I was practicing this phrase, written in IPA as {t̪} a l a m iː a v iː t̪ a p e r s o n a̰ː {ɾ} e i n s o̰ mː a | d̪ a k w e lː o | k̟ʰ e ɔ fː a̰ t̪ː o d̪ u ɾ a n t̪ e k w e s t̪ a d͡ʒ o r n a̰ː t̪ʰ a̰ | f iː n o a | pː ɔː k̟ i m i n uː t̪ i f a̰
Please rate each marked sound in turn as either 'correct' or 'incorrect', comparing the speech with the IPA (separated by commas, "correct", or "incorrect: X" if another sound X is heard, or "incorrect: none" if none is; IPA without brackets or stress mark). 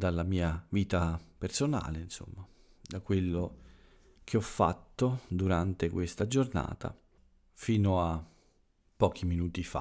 incorrect: d̪, incorrect: l